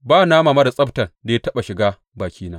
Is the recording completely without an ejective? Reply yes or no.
no